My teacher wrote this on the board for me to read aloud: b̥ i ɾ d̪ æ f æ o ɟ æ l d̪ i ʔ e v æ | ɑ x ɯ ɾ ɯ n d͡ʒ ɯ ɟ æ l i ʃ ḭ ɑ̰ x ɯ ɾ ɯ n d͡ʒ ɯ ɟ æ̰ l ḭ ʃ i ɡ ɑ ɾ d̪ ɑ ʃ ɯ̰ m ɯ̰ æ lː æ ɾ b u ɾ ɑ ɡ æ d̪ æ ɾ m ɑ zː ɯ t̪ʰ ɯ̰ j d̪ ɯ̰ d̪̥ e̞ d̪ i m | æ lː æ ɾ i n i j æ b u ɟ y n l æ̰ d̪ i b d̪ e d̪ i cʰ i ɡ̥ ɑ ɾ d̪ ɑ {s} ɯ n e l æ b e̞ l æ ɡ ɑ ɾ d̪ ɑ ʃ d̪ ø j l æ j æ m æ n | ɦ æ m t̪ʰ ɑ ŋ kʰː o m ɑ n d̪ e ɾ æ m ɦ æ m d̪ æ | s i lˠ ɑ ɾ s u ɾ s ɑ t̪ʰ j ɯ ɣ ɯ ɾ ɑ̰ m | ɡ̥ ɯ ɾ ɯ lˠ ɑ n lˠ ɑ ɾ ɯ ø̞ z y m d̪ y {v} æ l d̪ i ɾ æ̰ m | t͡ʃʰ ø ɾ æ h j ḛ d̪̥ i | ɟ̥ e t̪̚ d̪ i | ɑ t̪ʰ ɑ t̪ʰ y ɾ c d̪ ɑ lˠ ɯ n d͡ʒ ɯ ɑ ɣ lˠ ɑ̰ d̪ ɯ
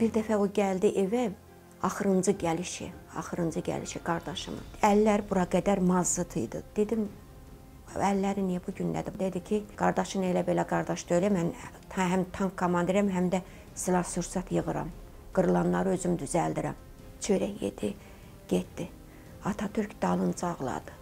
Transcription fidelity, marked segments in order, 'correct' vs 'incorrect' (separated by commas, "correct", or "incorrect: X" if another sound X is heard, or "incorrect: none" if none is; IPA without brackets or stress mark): incorrect: ʃ, incorrect: z